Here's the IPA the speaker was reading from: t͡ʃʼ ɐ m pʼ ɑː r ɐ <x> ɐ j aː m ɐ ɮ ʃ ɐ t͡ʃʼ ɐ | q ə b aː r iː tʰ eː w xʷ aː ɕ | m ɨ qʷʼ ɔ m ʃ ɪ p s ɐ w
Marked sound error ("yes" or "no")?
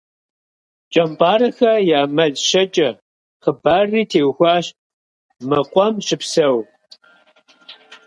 no